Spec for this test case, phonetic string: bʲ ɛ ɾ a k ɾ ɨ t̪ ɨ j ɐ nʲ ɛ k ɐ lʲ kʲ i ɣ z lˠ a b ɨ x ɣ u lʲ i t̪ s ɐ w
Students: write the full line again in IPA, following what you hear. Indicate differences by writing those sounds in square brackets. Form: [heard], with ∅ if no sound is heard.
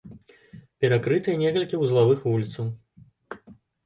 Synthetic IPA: [pʲ] ɛ ɾ a k ɾ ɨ t̪ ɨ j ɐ nʲ ɛ k ɐ lʲ kʲ i [w] z lˠ a [v] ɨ x [v] u lʲ i t̪ s ɐ w

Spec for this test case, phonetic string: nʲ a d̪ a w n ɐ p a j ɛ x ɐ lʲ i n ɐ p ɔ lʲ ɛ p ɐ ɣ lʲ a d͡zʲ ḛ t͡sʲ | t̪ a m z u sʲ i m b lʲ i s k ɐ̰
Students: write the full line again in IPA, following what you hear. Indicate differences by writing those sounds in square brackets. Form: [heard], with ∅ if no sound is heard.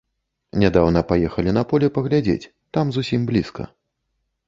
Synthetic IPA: nʲ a d̪ a w n ɐ p a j ɛ x ɐ lʲ i n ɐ p ɔ lʲ ɛ p ɐ ɣ lʲ a d͡zʲ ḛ t͡sʲ | t̪ a m z u sʲ i m b lʲ i s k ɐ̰

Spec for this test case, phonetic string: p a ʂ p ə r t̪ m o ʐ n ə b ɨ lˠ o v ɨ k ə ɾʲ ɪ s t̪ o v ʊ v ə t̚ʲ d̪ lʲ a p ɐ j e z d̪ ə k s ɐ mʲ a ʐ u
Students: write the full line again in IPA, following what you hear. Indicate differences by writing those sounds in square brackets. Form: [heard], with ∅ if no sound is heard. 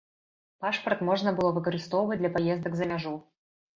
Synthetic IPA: p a ʂ p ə r t̪ m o ʐ n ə b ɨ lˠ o v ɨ k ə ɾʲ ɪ s t̪ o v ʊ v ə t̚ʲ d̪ lʲ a p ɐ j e z d̪ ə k [z] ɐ mʲ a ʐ u

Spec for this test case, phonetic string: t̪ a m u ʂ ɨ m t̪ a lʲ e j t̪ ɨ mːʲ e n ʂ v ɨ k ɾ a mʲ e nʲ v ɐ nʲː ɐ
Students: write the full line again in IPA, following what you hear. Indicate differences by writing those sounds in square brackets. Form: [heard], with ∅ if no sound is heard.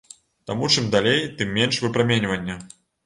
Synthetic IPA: t̪ a m u [t͡ʂ] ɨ m [d̪] a lʲ e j t̪ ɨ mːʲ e n ʂ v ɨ [p] ɾ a mʲ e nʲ v ɐ nʲː ɐ

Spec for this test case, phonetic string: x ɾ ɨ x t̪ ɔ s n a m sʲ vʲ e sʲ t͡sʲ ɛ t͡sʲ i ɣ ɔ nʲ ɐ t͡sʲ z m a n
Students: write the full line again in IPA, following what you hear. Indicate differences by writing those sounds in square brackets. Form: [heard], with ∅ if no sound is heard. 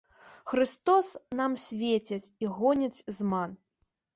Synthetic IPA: x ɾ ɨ [s] t̪ ɔ s n a m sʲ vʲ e [∅] t͡sʲ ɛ t͡sʲ i ɣ ɔ nʲ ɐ t͡sʲ z m a n

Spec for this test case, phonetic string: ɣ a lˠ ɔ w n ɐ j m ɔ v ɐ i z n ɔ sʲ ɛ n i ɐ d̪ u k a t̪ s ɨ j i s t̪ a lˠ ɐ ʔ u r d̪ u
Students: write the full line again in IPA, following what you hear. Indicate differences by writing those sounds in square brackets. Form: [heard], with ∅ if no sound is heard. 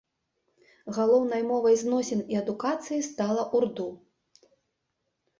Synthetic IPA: ɣ a lˠ ɔ w n ɐ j m ɔ v ɐ [j] z n ɔ sʲ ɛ n i ɐ d̪ u k a t̪ s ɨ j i s t̪ a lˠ ɐ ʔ u r d̪ u

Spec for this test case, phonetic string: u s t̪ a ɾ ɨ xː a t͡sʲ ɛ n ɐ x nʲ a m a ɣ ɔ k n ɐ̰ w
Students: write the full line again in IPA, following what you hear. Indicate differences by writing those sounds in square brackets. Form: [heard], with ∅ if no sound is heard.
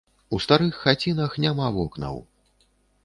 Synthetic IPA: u s t̪ a ɾ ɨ xː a t͡sʲ [i] n ɐ x nʲ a m a [v] ɔ k n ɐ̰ w

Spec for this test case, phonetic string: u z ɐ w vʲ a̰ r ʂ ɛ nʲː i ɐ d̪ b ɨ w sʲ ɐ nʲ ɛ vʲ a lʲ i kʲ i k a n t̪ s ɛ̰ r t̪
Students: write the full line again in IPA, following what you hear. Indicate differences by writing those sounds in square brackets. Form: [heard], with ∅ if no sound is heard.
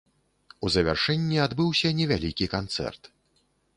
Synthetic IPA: u z ɐ [∅] vʲ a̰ r ʂ ɛ nʲː i [a] d̪ b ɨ w sʲ ɐ nʲ ɛ vʲ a lʲ i kʲ i k a n t̪ s ɛ̰ r t̪

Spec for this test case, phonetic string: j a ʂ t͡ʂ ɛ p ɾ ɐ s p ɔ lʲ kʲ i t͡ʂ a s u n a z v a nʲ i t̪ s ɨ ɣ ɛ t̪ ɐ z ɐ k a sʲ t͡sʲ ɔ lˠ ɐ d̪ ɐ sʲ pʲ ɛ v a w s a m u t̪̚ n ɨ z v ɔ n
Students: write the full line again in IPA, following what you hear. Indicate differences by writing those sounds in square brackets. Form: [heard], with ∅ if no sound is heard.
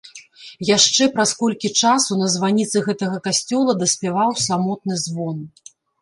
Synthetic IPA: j a ʂ t͡ʂ ɛ p ɾ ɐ s [k] ɔ lʲ kʲ i t͡ʂ a s u n [ɐ] z v a nʲ i t̪ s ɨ ɣ ɛ t̪ ɐ [ɣ] ɐ k a sʲ t͡sʲ ɔ lˠ ɐ d̪ ɐ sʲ pʲ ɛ v a w s a m [ɔ] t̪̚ n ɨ z v ɔ n

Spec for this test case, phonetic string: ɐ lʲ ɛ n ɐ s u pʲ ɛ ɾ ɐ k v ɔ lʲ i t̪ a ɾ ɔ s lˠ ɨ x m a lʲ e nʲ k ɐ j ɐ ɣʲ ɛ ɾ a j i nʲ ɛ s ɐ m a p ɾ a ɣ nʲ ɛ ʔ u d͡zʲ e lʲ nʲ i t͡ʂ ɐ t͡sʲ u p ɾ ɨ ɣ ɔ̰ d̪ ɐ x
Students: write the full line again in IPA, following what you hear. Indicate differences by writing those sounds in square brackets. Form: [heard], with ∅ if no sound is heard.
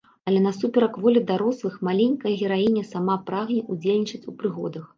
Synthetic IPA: ɐ lʲ ɛ n ɐ s u pʲ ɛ ɾ ɐ k v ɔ lʲ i [d̪] a ɾ ɔ s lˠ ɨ x m a lʲ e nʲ k ɐ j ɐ ɣʲ ɛ ɾ a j i nʲ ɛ s [a] m a p ɾ a ɣ nʲ ɛ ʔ u d͡zʲ e lʲ nʲ i t͡ʂ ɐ t͡sʲ u p ɾ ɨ ɣ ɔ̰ d̪ ɐ x

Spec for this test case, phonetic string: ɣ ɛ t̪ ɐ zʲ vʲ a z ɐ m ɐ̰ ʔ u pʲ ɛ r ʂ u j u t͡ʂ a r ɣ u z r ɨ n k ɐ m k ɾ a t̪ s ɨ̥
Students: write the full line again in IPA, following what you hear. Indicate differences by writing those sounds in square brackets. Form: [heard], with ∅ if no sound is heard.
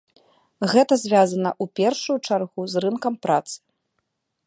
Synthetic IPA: ɣ ɛ t̪ ɐ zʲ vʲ a z ɐ [n] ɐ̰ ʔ u pʲ ɛ r ʂ u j u t͡ʂ a r ɣ u z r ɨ n k ɐ m [p] ɾ a t̪ s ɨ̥

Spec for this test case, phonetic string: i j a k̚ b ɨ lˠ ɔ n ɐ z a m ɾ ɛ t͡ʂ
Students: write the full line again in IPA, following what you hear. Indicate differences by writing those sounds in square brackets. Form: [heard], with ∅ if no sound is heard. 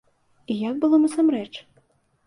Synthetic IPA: i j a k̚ b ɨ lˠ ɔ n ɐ [s] a m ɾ ɛ t͡ʂ

